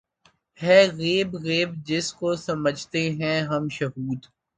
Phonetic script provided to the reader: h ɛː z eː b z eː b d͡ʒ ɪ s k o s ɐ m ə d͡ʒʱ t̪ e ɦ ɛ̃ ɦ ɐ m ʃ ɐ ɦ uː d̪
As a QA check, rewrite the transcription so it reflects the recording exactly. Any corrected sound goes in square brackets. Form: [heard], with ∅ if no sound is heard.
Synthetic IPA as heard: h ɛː [ɣ] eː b [ɣ] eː b d͡ʒ ɪ s k o s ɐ m ə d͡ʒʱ t̪ e ɦ ɛ̃ ɦ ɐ m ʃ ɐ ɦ uː d̪